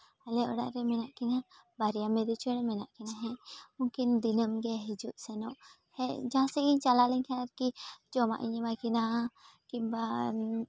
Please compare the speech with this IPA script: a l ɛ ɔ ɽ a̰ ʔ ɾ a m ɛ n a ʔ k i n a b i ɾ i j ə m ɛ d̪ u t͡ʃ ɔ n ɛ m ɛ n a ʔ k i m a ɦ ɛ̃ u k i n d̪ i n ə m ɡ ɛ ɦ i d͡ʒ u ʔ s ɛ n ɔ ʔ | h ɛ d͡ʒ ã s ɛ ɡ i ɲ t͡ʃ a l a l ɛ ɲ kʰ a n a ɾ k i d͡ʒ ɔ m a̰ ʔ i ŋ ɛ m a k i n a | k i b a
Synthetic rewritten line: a l ɛ ɔ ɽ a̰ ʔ ɾ ɛ m ɛ n a ʔ k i n a b a ɾ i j a m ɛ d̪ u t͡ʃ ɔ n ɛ m ɛ n a ʔ k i n a ɦ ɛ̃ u k i n d̪ i n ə m ɡ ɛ ɦ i d͡ʒ u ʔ s ɛ n ɔ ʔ | h ɛ d͡ʒ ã s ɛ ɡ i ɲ t͡ʃ a l a l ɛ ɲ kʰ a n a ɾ k i d͡ʒ ɔ m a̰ ʔ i ɲ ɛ m a k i n a | k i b a